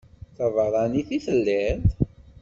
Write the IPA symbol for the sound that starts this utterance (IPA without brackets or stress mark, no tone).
θ